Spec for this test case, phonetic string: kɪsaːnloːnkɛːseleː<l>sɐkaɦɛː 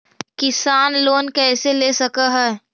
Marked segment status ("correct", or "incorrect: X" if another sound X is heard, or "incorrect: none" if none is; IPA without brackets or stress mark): incorrect: none